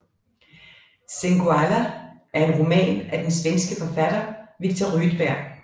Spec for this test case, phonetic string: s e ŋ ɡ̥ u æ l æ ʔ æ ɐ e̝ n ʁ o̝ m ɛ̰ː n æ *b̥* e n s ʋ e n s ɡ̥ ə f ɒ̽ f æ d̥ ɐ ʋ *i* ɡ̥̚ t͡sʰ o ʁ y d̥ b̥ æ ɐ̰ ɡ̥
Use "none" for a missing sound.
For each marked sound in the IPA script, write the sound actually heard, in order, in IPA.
d̥, i

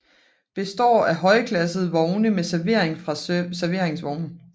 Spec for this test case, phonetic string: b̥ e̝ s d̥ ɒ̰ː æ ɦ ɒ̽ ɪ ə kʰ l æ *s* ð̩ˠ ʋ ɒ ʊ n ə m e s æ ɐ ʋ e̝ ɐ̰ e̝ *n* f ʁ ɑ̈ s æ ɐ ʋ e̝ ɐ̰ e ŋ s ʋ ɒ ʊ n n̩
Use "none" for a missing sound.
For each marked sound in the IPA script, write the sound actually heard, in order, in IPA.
s, ŋ

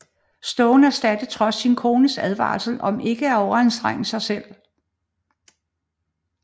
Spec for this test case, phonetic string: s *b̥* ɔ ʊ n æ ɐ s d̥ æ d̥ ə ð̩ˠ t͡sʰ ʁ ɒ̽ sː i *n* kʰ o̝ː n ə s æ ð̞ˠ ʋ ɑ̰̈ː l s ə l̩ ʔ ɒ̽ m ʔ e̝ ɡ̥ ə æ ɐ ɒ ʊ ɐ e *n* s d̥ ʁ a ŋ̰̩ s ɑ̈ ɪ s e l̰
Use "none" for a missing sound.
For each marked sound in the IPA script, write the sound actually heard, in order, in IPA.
d̥, n, n

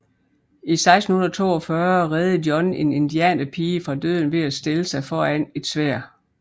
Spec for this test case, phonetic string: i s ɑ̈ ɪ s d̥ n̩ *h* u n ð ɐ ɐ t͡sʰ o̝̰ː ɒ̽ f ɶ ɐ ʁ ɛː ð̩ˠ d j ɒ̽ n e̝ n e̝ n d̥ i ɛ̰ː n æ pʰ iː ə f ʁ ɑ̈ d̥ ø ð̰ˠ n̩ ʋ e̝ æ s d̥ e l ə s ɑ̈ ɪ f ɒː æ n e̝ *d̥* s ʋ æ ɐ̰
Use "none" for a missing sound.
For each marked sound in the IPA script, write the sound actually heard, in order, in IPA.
h, d̥

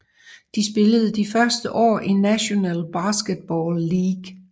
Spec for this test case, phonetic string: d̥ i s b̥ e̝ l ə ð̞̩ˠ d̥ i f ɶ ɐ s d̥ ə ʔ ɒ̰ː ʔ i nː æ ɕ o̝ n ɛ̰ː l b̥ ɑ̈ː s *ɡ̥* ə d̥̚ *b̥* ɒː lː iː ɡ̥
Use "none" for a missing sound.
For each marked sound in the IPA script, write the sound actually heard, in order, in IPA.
ɡ̥, b̥

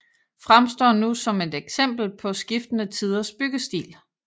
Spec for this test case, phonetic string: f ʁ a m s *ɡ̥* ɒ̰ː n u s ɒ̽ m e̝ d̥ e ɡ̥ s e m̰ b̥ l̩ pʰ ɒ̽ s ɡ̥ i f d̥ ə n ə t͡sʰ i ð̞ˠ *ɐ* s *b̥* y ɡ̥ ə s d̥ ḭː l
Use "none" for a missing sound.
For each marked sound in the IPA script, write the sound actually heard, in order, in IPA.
d̥, ɐ, b̥

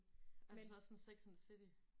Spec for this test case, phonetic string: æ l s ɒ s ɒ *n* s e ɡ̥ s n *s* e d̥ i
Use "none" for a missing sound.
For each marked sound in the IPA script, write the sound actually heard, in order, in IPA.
n, s

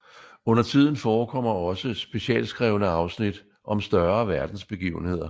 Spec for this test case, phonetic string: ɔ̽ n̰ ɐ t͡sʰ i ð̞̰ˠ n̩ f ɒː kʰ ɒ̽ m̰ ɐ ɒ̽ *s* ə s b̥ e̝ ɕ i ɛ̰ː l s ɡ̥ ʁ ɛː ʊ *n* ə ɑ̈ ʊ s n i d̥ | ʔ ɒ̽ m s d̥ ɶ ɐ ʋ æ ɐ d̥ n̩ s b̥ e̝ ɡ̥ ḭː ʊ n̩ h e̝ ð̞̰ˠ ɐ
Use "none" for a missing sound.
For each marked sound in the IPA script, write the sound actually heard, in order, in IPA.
s, n

